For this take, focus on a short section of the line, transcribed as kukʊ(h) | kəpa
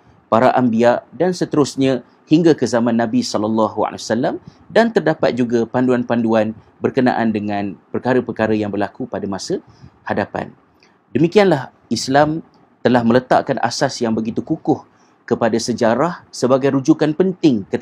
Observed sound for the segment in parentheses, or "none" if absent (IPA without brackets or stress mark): h